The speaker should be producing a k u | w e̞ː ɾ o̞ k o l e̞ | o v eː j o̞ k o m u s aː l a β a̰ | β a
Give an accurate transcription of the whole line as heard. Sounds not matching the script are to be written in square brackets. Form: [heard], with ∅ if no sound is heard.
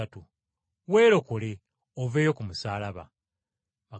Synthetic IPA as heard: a [t] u | w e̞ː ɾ o̞ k o l e̞ | o v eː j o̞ k [u] m u s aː l a β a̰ | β a